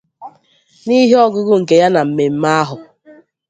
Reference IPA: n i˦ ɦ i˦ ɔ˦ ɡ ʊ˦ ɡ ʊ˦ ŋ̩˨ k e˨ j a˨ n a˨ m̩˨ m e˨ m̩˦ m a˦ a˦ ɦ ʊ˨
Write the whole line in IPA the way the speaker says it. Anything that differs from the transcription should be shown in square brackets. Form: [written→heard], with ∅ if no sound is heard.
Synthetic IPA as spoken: n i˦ ɦ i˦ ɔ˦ ɡ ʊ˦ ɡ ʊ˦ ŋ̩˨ k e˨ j [a˨→a˦] n a˨ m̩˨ m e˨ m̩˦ m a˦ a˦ ɦ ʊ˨